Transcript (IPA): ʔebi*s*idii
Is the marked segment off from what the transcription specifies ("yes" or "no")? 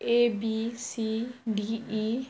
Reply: no